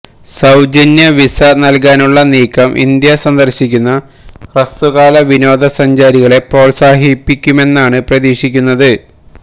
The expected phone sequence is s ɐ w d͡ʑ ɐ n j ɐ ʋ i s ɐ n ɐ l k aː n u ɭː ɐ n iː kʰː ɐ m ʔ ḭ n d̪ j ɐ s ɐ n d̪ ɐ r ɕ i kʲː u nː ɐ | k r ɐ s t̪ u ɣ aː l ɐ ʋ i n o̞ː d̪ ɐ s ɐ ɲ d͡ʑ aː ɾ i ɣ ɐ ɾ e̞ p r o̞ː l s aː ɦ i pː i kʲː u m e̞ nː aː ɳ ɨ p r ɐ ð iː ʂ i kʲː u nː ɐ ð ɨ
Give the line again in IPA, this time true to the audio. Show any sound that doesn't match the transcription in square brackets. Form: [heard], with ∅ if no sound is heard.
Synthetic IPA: s ɐ w d͡ʑ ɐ n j ɐ ʋ i s ɐ n ɐ l k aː n u ɭː ɐ n iː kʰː ɐ m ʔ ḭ n d̪ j ɐ s ɐ n d̪ ɐ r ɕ i kʲː u nː ɐ | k r ɐ s t̪ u ɣ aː l ɐ ʋ i n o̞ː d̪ ɐ s ɐ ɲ d͡ʑ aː ɾ i ɣ ɐ [ɭ] e̞ p r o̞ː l s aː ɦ i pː i kʲː u m e̞ nː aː ɳ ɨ p r ɐ ð iː ʂ i kʲː u nː ɐ ð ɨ

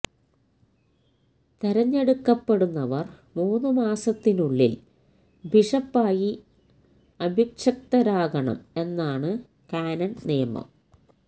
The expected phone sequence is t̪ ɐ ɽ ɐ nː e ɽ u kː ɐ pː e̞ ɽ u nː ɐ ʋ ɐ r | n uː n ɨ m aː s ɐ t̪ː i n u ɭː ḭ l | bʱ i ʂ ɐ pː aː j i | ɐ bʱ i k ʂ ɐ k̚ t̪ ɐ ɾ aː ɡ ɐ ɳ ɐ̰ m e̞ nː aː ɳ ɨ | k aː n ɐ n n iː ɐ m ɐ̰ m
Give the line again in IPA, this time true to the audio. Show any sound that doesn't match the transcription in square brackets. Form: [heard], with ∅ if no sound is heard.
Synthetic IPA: t̪ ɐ [ɾ] ɐ [ɲː] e ɽ u kː ɐ pː e̞ ɽ u nː ɐ ʋ ɐ r | [m] uː n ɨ m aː s ɐ t̪ː i n u ɭː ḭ l | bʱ i ʂ ɐ pː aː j i | ɐ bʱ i k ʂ ɐ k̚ t̪ ɐ ɾ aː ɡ ɐ ɳ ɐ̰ m e̞ nː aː ɳ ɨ | k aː n ɐ n n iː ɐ m ɐ̰ m

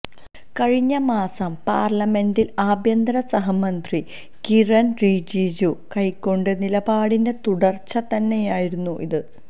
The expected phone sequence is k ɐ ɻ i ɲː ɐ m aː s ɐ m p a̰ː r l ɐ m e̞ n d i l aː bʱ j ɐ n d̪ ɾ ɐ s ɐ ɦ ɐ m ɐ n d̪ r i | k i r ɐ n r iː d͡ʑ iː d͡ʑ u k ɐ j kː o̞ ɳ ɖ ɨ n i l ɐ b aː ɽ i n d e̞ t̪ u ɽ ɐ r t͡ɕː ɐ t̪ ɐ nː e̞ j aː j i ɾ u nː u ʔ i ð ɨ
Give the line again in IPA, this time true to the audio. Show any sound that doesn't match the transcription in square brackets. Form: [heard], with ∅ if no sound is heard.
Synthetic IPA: k ɐ ɻ i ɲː ɐ m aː s ɐ m p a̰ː r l ɐ m e̞ n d i l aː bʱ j ɐ n d̪ ɾ ɐ s ɐ ɦ ɐ m ɐ n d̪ r i | k i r ɐ n r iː d͡ʑ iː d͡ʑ u k ɐ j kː o̞ ɳ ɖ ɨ n i l ɐ b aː ɽ i n d e̞ t̪ u ɽ ɐ r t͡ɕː ɐ t̪ ɐ nː e̞ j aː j i ɾ u nː u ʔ i ð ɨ

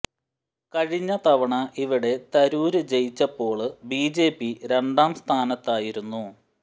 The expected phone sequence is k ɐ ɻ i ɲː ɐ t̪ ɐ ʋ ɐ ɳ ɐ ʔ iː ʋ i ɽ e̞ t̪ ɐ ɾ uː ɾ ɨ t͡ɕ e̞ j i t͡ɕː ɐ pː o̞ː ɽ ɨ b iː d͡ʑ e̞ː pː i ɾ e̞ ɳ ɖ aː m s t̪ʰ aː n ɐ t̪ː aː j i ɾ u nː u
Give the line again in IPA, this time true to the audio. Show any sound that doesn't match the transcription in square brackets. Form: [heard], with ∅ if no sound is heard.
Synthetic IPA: k ɐ ɻ i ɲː ɐ t̪ ɐ ʋ ɐ ɳ ɐ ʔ [i] ʋ i ɽ e̞ t̪ ɐ ɾ uː ɾ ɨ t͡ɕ e̞ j i t͡ɕː ɐ pː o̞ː [ɭ] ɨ b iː d͡ʑ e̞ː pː i ɾ e̞ ɳ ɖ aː m s t̪ʰ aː n ɐ t̪ː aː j i ɾ u nː u

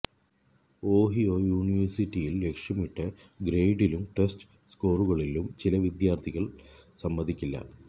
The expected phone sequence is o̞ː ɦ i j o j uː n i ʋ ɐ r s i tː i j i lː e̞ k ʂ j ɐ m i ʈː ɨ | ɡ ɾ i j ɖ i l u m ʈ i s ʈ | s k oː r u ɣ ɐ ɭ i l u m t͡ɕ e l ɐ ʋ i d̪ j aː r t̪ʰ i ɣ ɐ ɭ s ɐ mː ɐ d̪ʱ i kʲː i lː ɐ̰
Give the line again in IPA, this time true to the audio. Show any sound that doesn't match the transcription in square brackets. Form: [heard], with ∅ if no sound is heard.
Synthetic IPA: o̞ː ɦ i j o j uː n i ʋ ɐ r s i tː i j i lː e̞ k ʂ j ɐ m i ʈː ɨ | ɡ ɾ [e] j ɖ i l u m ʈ [e] s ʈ | s k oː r u ɣ ɐ ɭ i l u m t͡ɕ [i] l ɐ ʋ i d̪ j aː r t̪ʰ i ɣ ɐ ɭ s ɐ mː ɐ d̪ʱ i kʲː i lː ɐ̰

